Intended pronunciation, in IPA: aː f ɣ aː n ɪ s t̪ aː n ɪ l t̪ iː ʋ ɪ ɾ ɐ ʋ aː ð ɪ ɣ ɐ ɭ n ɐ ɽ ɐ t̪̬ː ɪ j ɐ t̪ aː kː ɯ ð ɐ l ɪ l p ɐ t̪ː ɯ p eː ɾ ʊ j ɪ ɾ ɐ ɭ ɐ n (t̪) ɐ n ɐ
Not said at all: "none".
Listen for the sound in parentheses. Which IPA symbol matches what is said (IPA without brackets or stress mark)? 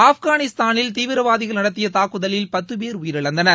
d̪